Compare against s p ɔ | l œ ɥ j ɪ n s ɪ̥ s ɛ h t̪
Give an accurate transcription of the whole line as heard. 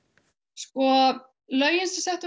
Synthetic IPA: s k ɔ | l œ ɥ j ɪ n s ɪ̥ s ɛ h t̪